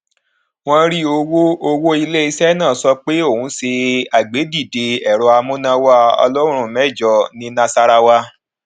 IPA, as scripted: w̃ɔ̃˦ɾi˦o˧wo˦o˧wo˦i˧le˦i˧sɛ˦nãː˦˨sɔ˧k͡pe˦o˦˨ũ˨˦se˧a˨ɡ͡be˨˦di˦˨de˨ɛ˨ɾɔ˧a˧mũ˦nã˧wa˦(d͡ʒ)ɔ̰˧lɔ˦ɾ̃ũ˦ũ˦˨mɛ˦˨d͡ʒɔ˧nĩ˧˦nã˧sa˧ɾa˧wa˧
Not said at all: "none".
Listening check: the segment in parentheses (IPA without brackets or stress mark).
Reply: none